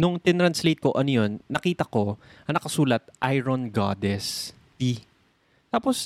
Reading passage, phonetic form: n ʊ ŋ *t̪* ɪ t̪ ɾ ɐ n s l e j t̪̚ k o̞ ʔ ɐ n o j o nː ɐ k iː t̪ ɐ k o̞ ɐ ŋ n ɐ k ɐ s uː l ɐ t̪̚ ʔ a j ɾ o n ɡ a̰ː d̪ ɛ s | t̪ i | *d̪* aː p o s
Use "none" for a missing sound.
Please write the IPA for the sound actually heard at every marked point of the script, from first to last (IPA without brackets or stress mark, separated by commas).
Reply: t̪, t̪